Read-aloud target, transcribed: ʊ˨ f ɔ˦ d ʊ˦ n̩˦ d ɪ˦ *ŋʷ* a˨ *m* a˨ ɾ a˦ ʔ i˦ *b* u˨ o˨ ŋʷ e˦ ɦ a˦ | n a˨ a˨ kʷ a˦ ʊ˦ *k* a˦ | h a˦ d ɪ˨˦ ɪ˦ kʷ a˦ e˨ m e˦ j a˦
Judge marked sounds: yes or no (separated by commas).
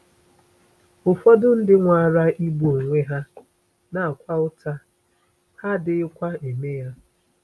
yes, no, yes, no